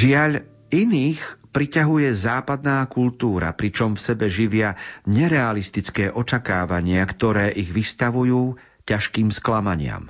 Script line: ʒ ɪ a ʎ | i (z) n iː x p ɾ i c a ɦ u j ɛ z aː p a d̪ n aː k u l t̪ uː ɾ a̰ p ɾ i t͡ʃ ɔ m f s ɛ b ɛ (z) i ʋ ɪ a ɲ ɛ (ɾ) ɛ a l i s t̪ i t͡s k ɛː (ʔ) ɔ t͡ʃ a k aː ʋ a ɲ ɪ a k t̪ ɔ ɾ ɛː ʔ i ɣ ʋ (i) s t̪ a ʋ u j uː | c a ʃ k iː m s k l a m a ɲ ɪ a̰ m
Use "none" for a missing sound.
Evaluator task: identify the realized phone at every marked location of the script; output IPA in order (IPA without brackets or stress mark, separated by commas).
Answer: none, ʒ, ɾ, ʔ, i